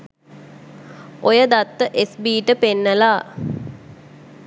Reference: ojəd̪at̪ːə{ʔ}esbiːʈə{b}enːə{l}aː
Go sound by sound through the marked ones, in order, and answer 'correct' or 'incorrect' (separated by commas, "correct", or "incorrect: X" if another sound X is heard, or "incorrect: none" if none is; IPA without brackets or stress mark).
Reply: correct, incorrect: p, correct